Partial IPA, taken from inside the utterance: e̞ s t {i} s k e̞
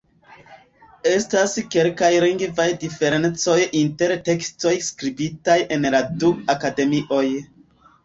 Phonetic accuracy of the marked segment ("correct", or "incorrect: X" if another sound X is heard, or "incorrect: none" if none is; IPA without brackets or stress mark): incorrect: a